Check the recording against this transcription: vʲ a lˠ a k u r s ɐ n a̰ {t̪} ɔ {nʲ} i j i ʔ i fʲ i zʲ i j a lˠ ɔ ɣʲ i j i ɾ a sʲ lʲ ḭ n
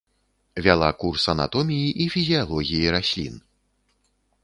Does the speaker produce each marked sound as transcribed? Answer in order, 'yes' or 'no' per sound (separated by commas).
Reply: yes, no